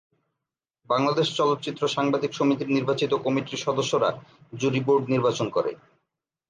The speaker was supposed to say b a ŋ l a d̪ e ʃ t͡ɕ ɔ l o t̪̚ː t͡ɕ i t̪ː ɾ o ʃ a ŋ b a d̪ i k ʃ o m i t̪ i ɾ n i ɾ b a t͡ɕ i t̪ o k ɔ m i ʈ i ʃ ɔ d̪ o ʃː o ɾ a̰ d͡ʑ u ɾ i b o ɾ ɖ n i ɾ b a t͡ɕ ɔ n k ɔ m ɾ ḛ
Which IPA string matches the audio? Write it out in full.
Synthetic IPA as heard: b a ŋ l a d̪ e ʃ t͡ɕ ɔ l o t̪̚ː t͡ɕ i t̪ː ɾ o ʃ a ŋ b a d̪ i k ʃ o m i t̪ i ɾ n i ɾ b a t͡ɕ i t̪ o k ɔ m i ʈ i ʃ ɔ d̪ o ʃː o ɾ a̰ d͡ʑ u ɾ i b o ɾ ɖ n i ɾ b a t͡ɕ o n k ɔ ɾ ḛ